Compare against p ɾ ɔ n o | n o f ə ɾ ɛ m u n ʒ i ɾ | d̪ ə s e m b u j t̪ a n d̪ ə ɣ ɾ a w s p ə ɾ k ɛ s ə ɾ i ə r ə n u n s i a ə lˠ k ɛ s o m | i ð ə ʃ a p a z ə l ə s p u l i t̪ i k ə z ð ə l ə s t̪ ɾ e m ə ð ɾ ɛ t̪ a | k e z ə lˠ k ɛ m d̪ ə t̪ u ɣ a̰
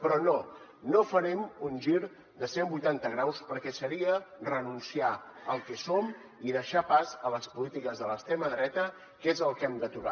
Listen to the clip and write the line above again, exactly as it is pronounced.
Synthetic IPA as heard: p ɾ ɔ n o | n o f ə ɾ ɛ m u n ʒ i ɾ | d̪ ə s e m b u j t̪ a n t̪ ə ɣ ɾ a w s p ə ɾ k ɛ s ə ɾ i ə r ə n u n s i a ə lˠ k ɛ s o m | i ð ə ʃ a p a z ə l ə s p u l i t̪ i k ə z ð ə l ə s t̪ ɾ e m ə ð ɾ ɛ t̪ ə | k e z ə lˠ k ɛ m d̪ ə t̪ u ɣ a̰

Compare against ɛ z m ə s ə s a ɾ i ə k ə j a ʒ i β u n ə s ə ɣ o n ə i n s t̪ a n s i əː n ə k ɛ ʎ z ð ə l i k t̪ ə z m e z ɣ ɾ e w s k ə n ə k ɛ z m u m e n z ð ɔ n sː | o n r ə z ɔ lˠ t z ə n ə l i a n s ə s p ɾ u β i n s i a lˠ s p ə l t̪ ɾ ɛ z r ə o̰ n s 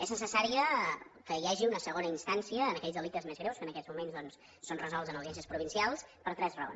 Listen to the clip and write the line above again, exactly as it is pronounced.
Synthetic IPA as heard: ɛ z n ə s ə s a ɾ i ə k ə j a ʒ i u n ə s ə ɣ o n ə i n s t̪ a n s i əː n ə k ɛ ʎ z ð ə l i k t̪ ə z m e z ɣ ɾ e w s k ə n ə k ɛ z m u m e n z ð ɔ n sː | o n r ə z ɔ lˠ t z ə n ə l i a n s ə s p ɾ u β i n s i a lˠ s p ə ɾ t̪ ɾ ɛ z r ə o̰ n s

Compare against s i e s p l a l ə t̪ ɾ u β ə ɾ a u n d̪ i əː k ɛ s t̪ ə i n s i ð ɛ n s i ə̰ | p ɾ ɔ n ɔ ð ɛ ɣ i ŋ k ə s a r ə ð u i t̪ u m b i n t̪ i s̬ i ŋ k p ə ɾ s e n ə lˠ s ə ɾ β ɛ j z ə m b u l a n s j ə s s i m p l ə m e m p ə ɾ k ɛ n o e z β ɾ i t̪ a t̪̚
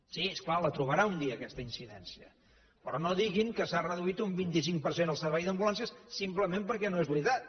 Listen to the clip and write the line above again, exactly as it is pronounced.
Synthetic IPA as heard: s i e s k l a l ə t̪ ɾ u β ə ɾ a u n d̪ i əː k ɛ s t̪ ə i n s i ð ɛ n s i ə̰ | p ɾ ɔ n o ð i ɣ i ŋ k ə s a r ə ð u i t̪ u m b i n t̪ i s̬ i ŋ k p ə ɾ s e n ə lˠ s ə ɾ β ɛ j ð ə m b u l a n s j ə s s i m p l ə m e m p ə ɾ k ɛ n o e z β ɾ i t̪ a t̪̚

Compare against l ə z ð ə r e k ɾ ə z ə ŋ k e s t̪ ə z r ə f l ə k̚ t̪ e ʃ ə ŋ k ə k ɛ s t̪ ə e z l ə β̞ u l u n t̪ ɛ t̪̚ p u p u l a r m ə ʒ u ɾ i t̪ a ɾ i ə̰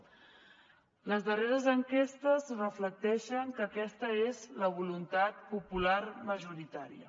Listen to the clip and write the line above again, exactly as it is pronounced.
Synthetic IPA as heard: l ə z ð ə r e ɾ ə z ə ŋ k e s t̪ ə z r ə f l ə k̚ t̪ ɛ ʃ ə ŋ k ə k ɛ s t̪ ə e z l ə β̞ u l u n t̪ a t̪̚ p u p u l a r m ə ʒ u ɾ i t̪ a ɾ i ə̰

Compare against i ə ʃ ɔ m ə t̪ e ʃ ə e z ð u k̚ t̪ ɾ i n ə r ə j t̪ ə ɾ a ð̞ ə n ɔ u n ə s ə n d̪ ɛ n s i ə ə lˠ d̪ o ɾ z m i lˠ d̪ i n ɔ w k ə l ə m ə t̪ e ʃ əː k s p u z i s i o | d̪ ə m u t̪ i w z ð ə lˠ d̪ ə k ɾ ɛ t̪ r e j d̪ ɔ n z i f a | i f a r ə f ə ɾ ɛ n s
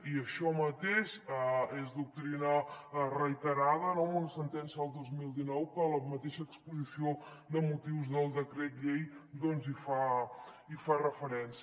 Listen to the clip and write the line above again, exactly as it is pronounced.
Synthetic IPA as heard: i ə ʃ ɔ m ə t̪ e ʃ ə e z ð u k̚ t̪ ɾ i n ə r ə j t̪ ə ɾ a ð̞ ə n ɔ u n ə s ə n t̪ ɛ n s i ə ə lˠ d̪ o z m i lˠ d̪ i n ɔ w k ə l ə m ə t̪ e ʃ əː k s p u z i s i o | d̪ ə m u t̪ i w z ð ə lˠ d̪ ə k ɾ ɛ t̪ ʎ e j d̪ ɔ n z i f a | i f a r ə f ə ɾ ɛ n s

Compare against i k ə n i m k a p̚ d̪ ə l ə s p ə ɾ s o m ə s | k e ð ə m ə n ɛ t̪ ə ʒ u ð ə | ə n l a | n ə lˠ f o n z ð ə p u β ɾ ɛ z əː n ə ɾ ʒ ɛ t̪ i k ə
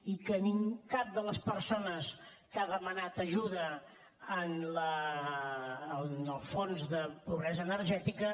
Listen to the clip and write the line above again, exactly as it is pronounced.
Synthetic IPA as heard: i k ə n i ŋ k a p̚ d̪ ə l ə s p ə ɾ s o n ə s | k a ð ə m ə n a t̪ ə ʒ u ð ə | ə n l ə | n ə lˠ f o n z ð ə p u β ɾ ɛ z əː n ə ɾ ʒ ɛ t̪ i k ə

